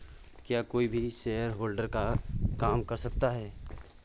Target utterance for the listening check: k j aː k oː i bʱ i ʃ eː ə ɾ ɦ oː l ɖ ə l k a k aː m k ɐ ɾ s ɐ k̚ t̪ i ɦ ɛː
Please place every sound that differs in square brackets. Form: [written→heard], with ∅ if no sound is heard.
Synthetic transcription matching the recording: k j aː k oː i bʱ i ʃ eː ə ɾ ɦ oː l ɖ ə [l→ɾ] k a k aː m k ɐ ɾ s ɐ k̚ t̪ [i→a] ɦ ɛː